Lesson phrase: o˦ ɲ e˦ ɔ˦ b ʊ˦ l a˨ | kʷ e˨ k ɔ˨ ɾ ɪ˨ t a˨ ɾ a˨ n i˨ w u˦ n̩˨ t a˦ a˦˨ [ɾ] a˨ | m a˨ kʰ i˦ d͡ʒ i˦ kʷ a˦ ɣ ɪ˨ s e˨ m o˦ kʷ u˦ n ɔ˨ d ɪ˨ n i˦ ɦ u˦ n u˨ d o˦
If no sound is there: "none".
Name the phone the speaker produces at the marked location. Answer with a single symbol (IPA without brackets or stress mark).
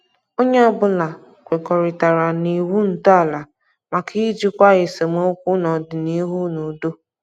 l